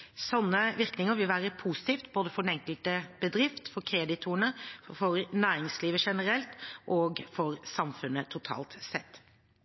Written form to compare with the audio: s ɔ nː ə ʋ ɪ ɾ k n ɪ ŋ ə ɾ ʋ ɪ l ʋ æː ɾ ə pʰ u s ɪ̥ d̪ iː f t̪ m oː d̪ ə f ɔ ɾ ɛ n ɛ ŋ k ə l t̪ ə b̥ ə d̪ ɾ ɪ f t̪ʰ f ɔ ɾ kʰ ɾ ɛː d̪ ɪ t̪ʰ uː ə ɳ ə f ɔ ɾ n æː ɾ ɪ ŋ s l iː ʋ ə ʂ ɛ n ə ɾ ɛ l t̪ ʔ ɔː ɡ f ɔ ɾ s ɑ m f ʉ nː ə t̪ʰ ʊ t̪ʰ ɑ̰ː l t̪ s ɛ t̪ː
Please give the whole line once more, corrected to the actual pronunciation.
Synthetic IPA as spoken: s ɔ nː ə ʋ ɪ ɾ k n ɪ ŋ ə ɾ ʋ ɪ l ʋ æː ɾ ə pʰ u s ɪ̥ t̪ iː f t̪ b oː d̪ ə f ɔ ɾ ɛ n ɛ ŋ k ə l t̪ ə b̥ ə d̪ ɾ ɪ f t̪ f ɔ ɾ kʰ ɾ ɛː d̪ ɪ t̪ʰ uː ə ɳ ə f ɔ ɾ n æː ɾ ɪ ŋ s l iː ʋ ə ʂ ɛ n ə ɾ ɛ l t̪ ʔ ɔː ɡ f ɔ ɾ s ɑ m f ʉ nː ə t̪ʰ ʊ t̪ʰ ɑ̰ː l t̪ s ɛ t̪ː

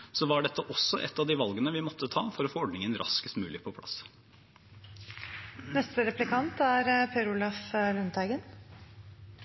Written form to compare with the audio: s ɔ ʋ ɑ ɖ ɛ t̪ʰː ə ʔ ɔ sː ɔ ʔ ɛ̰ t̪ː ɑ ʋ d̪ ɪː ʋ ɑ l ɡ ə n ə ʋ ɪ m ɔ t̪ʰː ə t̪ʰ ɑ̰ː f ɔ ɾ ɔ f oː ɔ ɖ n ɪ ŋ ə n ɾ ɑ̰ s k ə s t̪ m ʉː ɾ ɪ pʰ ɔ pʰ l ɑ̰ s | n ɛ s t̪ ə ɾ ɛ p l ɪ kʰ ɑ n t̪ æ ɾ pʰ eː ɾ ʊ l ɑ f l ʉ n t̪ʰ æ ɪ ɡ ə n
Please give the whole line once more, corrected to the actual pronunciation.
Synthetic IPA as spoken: s ɔ ʋ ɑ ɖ ɛ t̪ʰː ə ʔ ɔ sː ɔ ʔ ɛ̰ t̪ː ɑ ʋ d̪ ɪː ʋ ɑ l ɡ ə n ə ʋ ɪ m ɔ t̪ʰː ə t̪ʰ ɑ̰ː f ɔ ɾ ɔ f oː ɔ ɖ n ɪ ŋ ə n ɾ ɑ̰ s k ə s t̪ m ʉː l ɪ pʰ ɔ pʰ l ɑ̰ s | n ɛ s t̪ ə ɾ ɛ p l ɪ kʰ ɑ n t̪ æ ɾ pʰ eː ɾ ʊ l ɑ f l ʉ n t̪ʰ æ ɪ ɡ ə n

